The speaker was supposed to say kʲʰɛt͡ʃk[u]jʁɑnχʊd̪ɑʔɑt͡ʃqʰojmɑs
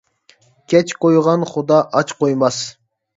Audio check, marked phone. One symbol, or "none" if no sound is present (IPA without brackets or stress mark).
o